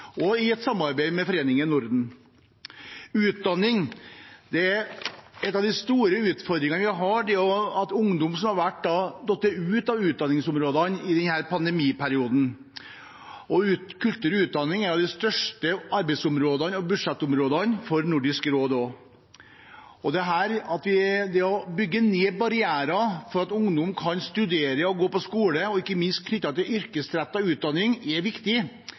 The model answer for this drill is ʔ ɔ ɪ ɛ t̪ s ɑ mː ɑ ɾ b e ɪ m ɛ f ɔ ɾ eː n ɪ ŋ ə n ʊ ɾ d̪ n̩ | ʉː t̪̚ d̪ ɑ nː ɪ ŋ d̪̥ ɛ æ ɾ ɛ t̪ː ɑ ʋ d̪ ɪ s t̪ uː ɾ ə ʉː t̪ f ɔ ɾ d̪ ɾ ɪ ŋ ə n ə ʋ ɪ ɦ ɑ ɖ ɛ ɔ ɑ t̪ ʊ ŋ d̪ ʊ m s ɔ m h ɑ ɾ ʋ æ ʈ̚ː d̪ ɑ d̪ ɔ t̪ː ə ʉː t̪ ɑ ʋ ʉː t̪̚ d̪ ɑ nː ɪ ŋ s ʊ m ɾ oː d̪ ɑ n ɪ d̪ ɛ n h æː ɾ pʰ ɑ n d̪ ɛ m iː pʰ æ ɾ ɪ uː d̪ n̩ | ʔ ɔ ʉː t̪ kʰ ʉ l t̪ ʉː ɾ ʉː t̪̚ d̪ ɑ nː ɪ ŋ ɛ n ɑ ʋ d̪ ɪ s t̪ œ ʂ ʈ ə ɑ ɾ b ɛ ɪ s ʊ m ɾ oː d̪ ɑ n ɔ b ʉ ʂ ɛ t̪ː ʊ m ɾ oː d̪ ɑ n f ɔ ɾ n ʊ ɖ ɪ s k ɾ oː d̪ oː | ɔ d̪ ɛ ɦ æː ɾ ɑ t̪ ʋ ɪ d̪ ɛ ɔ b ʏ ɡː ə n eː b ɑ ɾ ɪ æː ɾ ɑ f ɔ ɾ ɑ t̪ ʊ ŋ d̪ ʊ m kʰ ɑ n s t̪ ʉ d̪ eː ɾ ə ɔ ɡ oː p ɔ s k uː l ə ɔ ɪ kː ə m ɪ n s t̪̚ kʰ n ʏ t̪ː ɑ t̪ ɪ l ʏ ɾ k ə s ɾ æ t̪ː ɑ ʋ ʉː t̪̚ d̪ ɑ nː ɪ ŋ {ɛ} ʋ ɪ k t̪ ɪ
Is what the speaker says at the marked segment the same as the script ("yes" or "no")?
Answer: yes